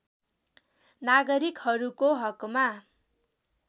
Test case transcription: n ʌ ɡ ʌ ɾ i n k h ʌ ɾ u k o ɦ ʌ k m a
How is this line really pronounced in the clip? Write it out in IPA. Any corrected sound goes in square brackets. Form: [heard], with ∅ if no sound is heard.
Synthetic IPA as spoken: n [a] ɡ ʌ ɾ i [∅] k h ʌ ɾ u k o ɦ ʌ k m a